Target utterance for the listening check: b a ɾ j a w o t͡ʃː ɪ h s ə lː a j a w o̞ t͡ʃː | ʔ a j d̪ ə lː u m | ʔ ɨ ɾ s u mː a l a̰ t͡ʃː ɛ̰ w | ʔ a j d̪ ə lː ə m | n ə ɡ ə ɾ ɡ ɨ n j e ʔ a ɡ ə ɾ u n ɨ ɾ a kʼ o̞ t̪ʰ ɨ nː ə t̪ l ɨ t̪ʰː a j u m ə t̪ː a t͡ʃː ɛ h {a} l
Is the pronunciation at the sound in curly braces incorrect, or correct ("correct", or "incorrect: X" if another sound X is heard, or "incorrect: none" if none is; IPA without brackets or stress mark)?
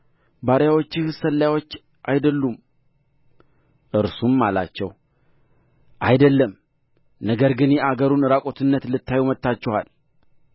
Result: correct